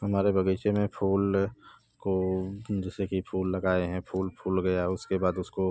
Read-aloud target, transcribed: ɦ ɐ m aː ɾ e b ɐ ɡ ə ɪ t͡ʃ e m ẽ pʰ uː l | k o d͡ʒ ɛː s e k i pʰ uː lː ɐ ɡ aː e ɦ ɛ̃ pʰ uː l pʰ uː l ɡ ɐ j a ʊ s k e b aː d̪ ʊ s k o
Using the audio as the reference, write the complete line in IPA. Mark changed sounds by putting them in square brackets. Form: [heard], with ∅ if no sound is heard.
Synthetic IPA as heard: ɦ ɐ m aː ɾ e b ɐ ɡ ə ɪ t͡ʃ e m ẽ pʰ uː l | k o d͡ʒ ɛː s e k i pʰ uː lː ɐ ɡ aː e ɦ ɛ̃ pʰ uː l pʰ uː l ɡ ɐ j a ʊ s k e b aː d̪ ʊ s k o